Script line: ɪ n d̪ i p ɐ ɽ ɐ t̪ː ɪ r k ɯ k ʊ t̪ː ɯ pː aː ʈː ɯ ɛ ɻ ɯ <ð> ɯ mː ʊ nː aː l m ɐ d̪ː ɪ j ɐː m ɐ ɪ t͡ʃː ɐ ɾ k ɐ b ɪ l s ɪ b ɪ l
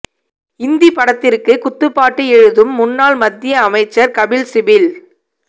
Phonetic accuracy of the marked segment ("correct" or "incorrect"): correct